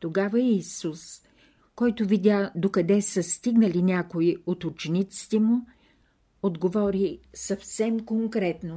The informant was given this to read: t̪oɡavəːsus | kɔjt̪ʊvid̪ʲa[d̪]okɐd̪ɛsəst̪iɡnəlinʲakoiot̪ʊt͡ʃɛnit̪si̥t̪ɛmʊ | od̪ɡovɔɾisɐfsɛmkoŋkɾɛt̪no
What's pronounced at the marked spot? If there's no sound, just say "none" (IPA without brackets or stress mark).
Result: d̪